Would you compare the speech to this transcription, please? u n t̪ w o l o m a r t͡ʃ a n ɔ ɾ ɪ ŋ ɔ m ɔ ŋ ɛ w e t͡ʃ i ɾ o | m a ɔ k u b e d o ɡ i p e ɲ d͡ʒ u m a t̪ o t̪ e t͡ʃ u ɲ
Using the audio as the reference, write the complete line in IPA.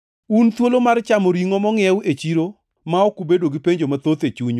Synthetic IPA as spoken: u n t̪ w o l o m a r t͡ʃ a m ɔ ɾ i ŋ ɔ m ɔ ŋ ɛ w e t͡ʃ i ɾ o | m a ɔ k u b e d o ɡ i p e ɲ d͡ʒ o m a t̪ o t̪ e t͡ʃ u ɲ